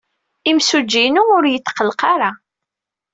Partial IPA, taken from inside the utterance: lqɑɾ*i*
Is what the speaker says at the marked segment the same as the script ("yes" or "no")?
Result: no